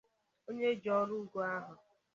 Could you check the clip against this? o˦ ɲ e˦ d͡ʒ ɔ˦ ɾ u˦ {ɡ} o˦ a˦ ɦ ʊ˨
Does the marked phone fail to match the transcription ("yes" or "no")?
no